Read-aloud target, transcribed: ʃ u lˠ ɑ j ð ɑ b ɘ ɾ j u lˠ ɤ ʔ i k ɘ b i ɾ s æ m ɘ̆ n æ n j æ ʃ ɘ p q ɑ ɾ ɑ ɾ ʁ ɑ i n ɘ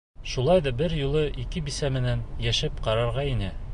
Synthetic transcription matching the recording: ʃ u lˠ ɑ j ð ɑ b ɘ ɾ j u lˠ ɤ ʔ i k ɘ b i s æ m ɘ̆ n æ n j æ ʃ ɘ p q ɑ ɾ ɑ ɾ ʁ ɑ i n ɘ

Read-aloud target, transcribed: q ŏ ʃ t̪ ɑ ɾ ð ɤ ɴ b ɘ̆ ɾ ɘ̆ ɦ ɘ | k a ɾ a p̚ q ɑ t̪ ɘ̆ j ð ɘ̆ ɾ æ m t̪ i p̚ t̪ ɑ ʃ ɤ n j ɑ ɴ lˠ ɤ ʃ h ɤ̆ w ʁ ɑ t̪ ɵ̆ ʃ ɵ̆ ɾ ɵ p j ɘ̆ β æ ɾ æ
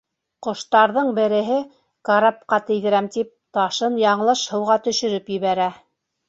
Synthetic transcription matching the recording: q ŏ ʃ t̪ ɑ ɾ ð ɤ ɴ b ɘ̆ ɾ ɘ̆ ɦ ɘ | k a ɾ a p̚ q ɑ t̪ ɘ̆ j ð ɘ̆ ɾ æ m t̪ i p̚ t̪ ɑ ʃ ɤ n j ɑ ɴ lˠ ɤ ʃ h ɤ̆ w ʁ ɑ t̪ ɵ̆ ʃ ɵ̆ ɾ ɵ p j ɘ̆ β æ ɾ æ

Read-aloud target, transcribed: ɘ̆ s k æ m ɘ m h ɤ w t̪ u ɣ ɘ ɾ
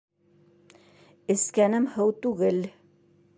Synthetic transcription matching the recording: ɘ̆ s k æ n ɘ m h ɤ w t̪ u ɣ ɘ l

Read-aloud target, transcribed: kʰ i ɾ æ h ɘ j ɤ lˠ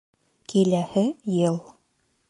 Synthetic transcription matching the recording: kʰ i l æ h ɘ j ɤ lˠ

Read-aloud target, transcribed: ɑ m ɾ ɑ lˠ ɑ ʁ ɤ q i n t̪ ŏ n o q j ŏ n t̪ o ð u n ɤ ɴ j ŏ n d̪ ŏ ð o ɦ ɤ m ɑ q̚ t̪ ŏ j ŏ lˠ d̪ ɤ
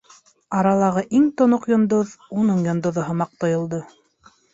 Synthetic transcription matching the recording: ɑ ɾ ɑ lˠ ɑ ʁ ɤ ʔ i ŋ t̪ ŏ n o q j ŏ n d̪ o ð u n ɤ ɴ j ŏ n d̪ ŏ ð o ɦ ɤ m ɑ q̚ t̪ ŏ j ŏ lˠ d̪ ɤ

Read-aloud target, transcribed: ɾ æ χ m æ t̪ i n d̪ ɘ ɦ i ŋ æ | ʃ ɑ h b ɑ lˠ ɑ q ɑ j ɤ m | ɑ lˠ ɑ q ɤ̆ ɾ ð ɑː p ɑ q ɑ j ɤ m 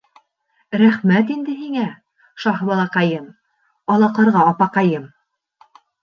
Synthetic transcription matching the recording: ɾ æ χ m æ t̪ i n d̪ ɘ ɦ i ŋ æ | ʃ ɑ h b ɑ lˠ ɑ q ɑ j ɤ m | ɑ lˠ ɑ q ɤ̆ ɾ ʁ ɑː p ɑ q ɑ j ɤ m

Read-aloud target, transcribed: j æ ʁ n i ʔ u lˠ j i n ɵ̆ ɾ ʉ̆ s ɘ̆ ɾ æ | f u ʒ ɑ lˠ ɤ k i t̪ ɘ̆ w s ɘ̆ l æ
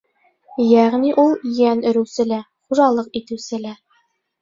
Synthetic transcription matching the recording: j æ ʁ n i ʔ u lˠ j æ n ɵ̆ ɾ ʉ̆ s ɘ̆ l æ | χ u ʒ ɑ lˠ ɤ q i t̪ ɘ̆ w s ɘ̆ l æ

